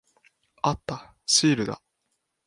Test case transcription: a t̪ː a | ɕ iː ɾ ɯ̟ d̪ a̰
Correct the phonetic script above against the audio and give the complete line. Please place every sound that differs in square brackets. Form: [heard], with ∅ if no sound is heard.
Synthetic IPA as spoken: a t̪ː a | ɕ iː ɾ ɯ̟ d̪ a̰